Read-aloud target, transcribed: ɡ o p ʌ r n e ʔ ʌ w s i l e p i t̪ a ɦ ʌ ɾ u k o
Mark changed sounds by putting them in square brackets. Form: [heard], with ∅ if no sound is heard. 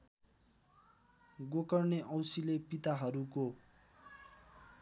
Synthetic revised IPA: ɡ o [k] ʌ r n e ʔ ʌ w s i l e p i t̪ a ɦ ʌ ɾ u k o

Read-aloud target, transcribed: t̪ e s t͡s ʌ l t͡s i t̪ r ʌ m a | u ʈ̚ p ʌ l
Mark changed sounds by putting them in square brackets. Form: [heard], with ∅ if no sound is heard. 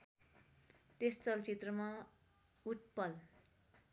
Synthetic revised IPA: t̪ e s t͡s ʌ l t͡s i t̪ r ʌ m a | u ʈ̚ p ʌ l

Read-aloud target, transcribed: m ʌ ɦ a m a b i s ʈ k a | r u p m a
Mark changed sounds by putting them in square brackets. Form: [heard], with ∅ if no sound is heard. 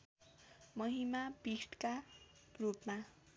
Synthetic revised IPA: m ʌ ɦ [i] m a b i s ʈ k a | r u p m a

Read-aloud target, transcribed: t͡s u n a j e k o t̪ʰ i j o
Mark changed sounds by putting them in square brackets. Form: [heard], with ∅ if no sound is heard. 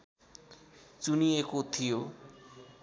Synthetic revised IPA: t͡s u n [i] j e k o t̪ʰ i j o

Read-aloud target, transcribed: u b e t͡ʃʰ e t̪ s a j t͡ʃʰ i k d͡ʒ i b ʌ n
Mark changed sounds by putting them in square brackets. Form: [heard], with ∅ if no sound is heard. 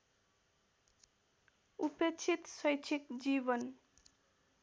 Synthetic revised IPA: u [p] e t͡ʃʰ [i] t̪ s [ʌ] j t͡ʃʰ i k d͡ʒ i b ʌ n

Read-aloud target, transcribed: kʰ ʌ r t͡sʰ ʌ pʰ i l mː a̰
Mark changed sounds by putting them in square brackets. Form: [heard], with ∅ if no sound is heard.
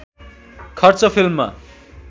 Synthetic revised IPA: kʰ ʌ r [t͡s] ʌ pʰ i l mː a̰

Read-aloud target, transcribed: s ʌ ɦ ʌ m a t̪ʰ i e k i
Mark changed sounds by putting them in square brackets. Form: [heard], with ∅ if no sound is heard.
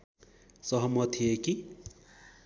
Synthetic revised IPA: s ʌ ɦ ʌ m [ʌ] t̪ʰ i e k i

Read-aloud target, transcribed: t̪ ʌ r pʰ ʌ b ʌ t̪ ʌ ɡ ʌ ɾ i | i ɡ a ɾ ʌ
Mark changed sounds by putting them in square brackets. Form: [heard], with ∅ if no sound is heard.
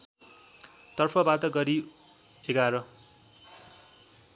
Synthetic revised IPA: t̪ ʌ r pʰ ʌ b [a] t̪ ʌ ɡ ʌ ɾ i | [e] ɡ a ɾ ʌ

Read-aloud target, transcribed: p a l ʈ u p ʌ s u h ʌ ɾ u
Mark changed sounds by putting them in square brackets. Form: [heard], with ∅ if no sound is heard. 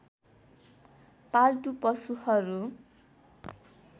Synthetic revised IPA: p a l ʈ u p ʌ s u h ʌ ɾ u

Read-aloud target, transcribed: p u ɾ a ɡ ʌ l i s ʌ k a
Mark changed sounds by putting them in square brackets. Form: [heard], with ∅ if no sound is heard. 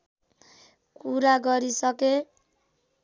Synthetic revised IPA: [k] u ɾ a ɡ ʌ [ɾ] i s ʌ k [e]

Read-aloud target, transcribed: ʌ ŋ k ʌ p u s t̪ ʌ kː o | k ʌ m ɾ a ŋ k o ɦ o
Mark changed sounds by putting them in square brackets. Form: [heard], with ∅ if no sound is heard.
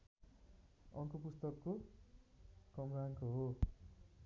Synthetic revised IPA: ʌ ŋ k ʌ p u s t̪ ʌ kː o | k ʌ m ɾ a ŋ k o ɦ o

